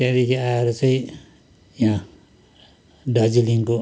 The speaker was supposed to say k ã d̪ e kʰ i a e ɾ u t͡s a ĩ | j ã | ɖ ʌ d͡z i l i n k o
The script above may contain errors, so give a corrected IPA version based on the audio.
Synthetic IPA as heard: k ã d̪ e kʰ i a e ɾ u t͡s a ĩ | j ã | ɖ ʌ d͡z i l i ŋ k o